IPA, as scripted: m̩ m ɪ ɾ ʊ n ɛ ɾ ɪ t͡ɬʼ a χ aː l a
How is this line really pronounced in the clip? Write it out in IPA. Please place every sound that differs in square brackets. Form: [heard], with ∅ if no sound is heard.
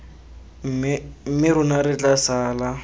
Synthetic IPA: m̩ m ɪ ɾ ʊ n [a] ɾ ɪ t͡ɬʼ a [s] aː l a